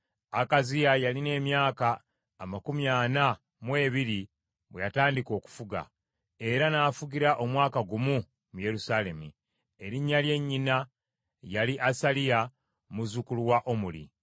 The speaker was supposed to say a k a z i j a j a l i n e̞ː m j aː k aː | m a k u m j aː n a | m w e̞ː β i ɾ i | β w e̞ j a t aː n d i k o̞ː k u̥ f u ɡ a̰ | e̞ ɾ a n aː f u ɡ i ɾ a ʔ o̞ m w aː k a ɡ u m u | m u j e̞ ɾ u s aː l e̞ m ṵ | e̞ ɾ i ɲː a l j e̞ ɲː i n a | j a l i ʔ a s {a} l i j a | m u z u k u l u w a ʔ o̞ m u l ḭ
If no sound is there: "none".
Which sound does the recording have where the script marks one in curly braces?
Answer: a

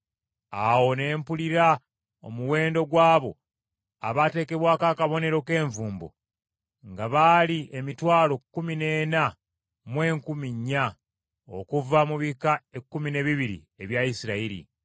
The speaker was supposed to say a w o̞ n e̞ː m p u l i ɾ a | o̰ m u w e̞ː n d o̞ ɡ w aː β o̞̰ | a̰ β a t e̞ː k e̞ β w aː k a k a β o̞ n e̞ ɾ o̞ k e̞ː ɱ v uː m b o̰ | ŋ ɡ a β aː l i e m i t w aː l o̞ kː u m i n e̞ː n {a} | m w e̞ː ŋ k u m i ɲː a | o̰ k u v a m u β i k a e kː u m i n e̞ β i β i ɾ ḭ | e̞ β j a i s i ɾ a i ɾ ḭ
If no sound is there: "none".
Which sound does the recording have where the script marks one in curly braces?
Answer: a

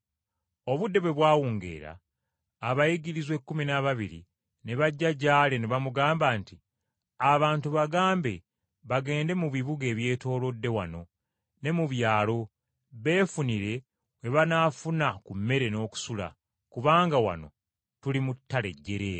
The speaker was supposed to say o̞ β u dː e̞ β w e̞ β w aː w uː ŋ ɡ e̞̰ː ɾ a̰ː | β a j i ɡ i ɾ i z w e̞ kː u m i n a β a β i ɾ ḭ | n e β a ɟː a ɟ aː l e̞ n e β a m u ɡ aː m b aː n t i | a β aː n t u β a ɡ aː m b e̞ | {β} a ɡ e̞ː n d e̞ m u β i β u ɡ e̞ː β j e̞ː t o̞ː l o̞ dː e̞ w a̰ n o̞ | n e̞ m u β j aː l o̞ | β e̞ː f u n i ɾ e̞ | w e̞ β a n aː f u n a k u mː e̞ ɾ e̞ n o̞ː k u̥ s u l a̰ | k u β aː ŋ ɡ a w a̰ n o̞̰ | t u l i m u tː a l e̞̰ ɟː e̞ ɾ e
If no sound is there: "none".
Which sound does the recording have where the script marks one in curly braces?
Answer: β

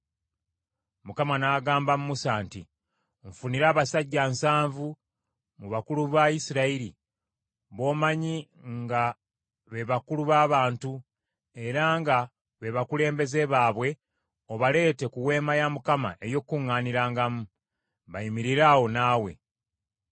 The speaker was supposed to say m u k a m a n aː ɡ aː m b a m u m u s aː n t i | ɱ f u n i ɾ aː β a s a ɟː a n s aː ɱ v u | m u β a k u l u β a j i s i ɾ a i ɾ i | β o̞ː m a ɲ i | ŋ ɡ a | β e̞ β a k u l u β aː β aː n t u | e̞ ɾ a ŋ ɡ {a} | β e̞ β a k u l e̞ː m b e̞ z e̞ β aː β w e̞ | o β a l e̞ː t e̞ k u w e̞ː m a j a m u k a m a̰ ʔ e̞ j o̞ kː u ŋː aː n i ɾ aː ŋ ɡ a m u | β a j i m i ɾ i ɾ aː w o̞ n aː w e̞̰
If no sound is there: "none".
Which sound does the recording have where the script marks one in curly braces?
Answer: a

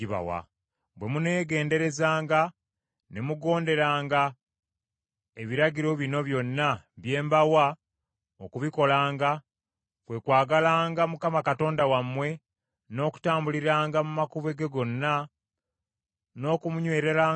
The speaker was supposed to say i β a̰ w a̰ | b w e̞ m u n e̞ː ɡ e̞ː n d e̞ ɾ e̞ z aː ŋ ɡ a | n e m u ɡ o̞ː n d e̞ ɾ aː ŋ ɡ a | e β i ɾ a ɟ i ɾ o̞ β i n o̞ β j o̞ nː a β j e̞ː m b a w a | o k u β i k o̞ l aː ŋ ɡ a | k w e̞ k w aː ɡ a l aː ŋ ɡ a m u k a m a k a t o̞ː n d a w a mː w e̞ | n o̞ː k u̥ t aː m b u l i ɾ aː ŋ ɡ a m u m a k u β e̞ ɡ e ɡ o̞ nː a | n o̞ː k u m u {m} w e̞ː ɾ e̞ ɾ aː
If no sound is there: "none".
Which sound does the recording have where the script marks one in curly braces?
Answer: ɲ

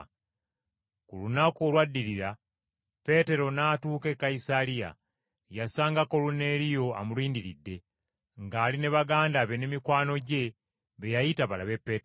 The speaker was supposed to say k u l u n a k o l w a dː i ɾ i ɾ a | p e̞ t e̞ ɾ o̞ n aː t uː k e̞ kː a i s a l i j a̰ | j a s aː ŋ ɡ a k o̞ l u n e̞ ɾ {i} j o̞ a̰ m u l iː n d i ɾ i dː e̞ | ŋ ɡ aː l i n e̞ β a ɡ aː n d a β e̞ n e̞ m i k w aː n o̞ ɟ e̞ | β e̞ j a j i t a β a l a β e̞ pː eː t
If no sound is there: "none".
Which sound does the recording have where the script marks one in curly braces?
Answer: i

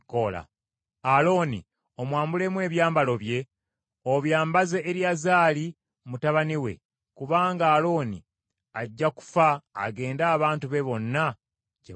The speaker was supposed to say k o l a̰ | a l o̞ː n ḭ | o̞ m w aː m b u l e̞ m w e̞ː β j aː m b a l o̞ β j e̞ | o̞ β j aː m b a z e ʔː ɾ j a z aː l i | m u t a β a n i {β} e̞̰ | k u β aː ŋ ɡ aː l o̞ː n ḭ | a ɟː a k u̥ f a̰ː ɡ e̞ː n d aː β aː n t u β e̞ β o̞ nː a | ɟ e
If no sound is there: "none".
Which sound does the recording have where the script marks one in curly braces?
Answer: w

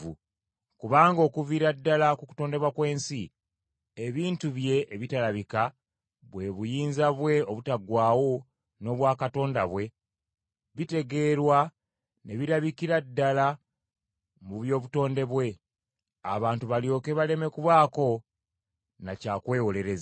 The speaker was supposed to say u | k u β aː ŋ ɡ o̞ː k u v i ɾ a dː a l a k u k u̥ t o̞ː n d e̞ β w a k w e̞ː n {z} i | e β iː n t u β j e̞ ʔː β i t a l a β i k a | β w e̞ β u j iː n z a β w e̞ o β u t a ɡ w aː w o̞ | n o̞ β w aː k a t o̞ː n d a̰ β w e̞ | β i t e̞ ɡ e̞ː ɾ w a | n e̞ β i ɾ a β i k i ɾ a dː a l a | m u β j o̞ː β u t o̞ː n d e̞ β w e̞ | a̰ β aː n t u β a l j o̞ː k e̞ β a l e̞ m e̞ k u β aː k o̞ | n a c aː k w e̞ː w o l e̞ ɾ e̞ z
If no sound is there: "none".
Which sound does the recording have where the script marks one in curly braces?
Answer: s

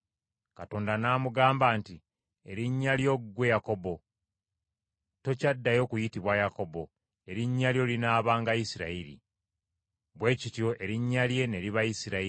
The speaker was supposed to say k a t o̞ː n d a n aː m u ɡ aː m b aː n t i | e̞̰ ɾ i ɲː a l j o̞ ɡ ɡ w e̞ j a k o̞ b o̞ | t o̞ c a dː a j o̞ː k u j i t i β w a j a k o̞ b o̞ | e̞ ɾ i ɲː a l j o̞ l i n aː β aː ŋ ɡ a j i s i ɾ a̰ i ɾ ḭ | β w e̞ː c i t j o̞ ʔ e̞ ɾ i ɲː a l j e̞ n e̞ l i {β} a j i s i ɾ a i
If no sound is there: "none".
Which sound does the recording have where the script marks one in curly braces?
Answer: β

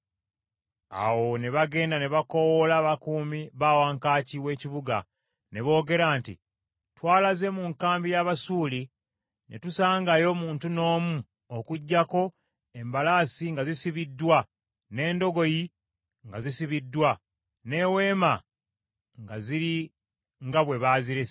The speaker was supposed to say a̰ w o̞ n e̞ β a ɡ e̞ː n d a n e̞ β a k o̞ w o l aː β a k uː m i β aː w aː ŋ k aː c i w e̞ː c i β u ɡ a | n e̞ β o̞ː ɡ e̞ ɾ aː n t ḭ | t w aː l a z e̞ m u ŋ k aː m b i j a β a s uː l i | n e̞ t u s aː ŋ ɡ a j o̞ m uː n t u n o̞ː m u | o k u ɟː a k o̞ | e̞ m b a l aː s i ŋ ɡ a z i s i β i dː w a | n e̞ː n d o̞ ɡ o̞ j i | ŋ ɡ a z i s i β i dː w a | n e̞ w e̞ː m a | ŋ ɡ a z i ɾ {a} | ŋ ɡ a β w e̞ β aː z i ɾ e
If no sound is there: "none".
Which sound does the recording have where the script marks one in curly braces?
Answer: i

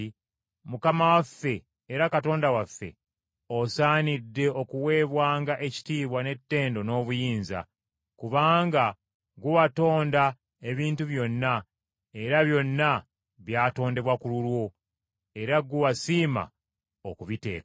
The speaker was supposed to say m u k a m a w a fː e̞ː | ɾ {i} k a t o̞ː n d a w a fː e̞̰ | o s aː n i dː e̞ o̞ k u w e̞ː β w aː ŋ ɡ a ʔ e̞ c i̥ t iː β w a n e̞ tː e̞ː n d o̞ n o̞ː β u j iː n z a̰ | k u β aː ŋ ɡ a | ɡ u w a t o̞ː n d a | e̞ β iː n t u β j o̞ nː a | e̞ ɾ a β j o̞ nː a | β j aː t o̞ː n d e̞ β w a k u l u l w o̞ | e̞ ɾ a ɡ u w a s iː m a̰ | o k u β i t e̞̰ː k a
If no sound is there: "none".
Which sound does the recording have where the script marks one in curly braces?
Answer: a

